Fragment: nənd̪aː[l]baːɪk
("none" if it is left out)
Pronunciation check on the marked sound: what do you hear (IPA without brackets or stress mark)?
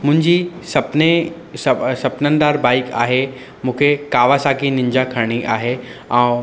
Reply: ɾ